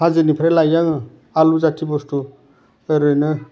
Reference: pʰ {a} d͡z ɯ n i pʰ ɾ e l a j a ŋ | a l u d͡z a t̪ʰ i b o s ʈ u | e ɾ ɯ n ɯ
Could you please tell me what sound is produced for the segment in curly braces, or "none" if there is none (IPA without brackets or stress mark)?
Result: a